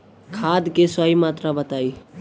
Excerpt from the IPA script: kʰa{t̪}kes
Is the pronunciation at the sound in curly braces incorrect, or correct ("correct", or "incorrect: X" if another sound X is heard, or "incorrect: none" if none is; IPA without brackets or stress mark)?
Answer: incorrect: d̪